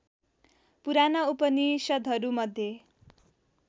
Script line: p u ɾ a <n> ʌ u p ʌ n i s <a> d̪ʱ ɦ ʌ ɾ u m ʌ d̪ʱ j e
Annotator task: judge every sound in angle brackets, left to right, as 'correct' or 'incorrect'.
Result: correct, incorrect: ʌ

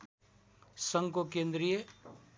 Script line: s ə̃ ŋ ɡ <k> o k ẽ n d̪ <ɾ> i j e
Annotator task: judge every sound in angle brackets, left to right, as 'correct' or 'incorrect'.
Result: correct, correct

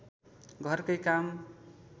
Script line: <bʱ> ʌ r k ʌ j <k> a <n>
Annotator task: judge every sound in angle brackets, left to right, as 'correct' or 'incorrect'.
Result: incorrect: ɡʱ, correct, incorrect: m

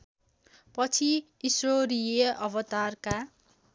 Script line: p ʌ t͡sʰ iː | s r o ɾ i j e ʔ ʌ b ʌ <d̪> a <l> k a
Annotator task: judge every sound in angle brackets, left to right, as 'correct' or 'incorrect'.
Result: incorrect: t̪, incorrect: r

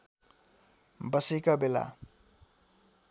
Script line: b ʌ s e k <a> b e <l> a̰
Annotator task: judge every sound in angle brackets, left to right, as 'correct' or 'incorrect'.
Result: correct, correct

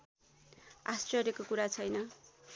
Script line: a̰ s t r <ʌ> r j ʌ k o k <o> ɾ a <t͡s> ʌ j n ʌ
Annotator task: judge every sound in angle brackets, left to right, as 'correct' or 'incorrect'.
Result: correct, incorrect: u, incorrect: t͡sʰ

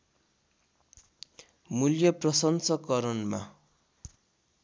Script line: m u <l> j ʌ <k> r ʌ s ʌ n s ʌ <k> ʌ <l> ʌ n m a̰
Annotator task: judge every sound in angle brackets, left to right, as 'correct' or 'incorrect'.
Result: correct, incorrect: p, correct, incorrect: ɾ

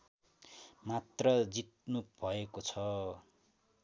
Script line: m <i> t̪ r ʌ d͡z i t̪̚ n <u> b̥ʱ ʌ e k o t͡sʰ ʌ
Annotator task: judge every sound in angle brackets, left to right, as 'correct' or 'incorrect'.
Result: incorrect: a, correct

